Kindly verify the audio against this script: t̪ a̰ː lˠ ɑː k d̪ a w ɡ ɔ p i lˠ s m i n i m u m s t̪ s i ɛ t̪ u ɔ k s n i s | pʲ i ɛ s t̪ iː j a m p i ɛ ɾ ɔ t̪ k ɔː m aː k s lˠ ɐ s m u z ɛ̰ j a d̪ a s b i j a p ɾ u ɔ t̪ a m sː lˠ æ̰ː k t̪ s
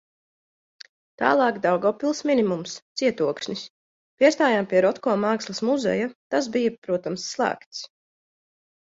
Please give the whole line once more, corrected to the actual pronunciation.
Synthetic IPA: t̪ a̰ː lˠ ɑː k d̪ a w ɡ ɔ p i lˠ s m i n i m u m s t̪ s i ɛ t̪ u ɔ k ʃ n i s | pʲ i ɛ s t̪ aː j a m p i ɛ ɾ ɔ t̪ k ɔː m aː k s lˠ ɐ s m u z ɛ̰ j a t̪ a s b i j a p ɾ u ɔ t̪ a m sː lˠ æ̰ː k t̪ s